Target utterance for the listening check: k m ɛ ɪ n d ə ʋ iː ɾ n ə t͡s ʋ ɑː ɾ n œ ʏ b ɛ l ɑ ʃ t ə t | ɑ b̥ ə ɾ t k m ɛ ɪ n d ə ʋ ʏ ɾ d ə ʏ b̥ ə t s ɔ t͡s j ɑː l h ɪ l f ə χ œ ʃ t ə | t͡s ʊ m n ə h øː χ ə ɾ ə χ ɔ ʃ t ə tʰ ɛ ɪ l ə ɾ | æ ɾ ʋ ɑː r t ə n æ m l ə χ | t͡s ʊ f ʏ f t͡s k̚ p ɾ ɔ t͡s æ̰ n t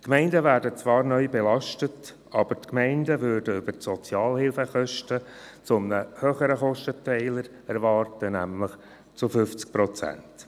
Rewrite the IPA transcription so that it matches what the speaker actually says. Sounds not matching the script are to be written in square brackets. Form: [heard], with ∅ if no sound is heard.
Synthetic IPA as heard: k m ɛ ɪ n d ə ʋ [æː] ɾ [d] ə t͡s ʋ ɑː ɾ n œ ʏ b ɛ l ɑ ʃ t ə t | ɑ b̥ ə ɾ t k m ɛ ɪ n d ə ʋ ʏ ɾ d ə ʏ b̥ ə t s ɔ t͡s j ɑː l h ɪ l f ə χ œ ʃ t ə | t͡s ʊ m n ə h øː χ ə ɾ ə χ ɔ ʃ t ə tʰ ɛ ɪ l ə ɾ | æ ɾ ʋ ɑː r t ə n æ m l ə χ | t͡s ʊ f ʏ f t͡s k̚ p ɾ ɔ t͡s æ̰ n t

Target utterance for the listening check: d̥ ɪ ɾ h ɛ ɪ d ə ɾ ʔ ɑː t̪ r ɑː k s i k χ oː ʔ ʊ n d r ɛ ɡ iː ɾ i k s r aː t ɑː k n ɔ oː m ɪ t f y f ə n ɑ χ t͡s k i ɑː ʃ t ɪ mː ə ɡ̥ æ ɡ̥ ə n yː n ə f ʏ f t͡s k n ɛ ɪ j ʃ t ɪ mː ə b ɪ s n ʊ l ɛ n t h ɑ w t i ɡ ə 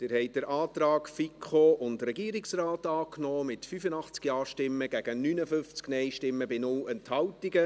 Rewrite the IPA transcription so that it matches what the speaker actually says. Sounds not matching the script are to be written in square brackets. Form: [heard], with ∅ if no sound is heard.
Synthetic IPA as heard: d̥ ɪ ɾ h ɛ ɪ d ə ɾ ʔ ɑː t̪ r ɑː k [f] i k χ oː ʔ ʊ n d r ɛ ɡ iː ɾ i k s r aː t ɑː k n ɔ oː m ɪ t f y f ə n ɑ χ t͡s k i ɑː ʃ t ɪ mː ə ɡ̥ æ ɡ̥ ə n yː n ə f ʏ f t͡s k n ɛ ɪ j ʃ t ɪ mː ə b ɪ [∅] n ʊ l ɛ n t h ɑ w t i ɡ ə

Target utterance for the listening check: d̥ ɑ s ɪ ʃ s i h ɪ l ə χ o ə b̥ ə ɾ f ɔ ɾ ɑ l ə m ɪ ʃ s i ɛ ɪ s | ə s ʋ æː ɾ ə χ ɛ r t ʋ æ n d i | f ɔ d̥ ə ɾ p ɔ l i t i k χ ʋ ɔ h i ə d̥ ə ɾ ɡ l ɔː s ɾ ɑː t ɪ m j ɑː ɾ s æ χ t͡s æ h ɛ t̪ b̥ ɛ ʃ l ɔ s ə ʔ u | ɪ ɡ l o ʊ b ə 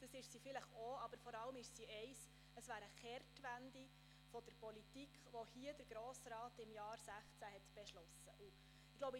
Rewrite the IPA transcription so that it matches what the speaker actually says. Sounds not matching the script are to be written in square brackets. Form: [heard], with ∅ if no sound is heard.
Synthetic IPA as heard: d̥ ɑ s ɪ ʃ s i [f] ɪ l ə χ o [ɑ] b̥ ə ɾ f ɔ ɾ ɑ l ə m ɪ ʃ s i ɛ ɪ s | ə s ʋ æː ɾ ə χ ɛ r t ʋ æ n d i | f ɔ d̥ ə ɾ p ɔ l i t i k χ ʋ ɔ h i ə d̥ ə ɾ ɡ [ɾ] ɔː s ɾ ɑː t ɪ m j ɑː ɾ s æ χ t͡s æ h ɛ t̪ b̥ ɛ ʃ l ɔ s ə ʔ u | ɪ ɡ l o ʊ b ə

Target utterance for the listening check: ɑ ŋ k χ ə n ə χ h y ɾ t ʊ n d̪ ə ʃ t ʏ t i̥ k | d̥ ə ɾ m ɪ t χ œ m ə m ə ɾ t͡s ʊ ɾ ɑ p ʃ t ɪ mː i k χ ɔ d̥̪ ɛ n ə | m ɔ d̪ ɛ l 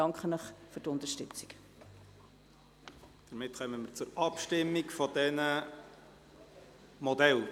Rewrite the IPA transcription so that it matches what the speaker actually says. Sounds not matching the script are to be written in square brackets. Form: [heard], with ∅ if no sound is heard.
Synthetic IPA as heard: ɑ ŋ k χ ə n ə χ [f] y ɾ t ʊ n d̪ ə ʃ t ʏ [t͡s] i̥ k | d̥ ə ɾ m ɪ t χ œ m ə m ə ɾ t͡s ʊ ɾ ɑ p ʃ t ɪ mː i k [f] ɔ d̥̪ ɛ n ə | m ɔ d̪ ɛ l

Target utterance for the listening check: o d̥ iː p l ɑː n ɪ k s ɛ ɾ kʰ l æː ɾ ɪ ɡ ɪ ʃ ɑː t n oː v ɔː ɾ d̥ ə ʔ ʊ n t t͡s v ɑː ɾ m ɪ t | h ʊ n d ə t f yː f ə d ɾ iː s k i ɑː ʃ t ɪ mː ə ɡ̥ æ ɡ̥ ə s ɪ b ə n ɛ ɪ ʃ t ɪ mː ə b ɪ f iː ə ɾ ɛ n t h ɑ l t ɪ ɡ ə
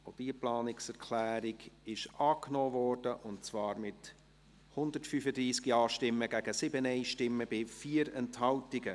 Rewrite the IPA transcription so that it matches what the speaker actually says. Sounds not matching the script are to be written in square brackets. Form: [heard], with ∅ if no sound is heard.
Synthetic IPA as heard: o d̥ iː p l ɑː n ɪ k s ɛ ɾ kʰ l æː ɾ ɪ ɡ ɪ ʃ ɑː [k] n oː v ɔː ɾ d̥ ə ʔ ʊ n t t͡s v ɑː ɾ m ɪ t | h ʊ n d ə t f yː f ə d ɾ iː s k i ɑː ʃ t ɪ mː ə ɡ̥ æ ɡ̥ ə s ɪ b ə n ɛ ɪ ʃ t ɪ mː ə b ɪ f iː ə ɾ ɛ n t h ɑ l t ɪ ɡ ə

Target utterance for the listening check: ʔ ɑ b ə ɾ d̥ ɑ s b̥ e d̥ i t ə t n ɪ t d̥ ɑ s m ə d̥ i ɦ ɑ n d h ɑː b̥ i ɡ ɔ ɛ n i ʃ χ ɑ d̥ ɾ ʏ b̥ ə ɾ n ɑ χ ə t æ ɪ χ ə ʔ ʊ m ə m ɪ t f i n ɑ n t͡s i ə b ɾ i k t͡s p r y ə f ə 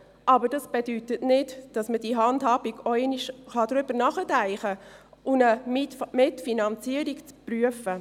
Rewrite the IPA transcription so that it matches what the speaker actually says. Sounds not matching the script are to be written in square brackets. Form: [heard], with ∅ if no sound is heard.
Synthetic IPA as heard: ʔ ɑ b ə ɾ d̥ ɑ s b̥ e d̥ [y] t ə t n ɪ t d̥ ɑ s m ə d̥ i ɦ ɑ n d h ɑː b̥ i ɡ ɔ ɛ n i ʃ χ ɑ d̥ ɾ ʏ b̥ ə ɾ n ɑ χ ə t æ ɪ χ ə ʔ ʊ [n] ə m ɪ t f i n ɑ n t͡s i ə [∅] ɾ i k t͡s p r y ə f ə

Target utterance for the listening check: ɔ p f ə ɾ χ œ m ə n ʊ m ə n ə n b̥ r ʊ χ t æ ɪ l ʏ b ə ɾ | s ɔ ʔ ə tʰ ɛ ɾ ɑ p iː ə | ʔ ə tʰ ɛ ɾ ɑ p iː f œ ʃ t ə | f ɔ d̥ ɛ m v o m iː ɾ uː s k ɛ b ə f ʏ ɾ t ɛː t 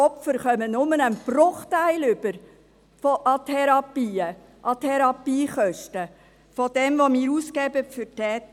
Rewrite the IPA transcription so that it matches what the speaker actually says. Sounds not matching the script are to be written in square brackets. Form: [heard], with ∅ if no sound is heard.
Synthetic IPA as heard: ɔ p f ə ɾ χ œ m ə n ʊ m ə n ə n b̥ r ʊ χ t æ ɪ l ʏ b ə ɾ | [f] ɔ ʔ [ɑ] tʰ ɛ ɾ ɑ p iː ə | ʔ [ɑ] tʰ ɛ ɾ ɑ p iː [χ] œ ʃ t ə | f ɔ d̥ ɛ m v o m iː ɾ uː s k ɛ b ə f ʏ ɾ t ɛː t

